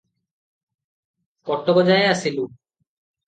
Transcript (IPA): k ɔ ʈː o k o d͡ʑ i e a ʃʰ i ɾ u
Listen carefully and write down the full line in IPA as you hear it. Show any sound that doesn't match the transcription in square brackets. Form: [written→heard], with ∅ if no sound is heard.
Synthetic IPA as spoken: k ɔ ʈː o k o d͡ʑ [i→a] e a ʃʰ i [ɾ→l] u